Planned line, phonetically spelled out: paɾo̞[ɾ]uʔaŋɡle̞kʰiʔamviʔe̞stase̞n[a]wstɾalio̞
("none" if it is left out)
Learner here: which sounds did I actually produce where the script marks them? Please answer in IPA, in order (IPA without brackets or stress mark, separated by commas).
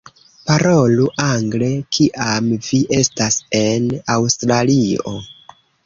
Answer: l, a